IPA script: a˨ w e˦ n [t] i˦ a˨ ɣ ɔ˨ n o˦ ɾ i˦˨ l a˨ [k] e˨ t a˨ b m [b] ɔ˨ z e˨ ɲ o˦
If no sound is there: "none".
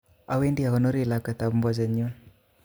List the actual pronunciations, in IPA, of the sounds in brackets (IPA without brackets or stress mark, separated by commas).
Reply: d, k, b